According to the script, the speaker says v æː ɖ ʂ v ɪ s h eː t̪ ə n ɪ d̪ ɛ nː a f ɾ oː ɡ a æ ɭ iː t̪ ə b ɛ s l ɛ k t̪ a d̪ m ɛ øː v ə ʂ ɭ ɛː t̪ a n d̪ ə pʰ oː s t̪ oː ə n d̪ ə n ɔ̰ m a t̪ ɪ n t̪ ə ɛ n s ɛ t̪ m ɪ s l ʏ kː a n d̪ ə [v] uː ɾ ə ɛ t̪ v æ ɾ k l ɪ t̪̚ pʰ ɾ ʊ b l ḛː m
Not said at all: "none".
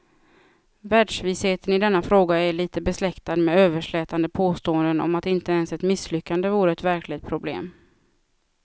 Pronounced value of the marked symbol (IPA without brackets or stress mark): v